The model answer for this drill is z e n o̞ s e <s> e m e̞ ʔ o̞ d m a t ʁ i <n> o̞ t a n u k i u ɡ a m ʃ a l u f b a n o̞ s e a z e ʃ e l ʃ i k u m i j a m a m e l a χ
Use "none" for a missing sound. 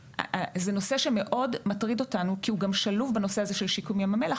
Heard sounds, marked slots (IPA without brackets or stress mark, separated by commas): ʃ, d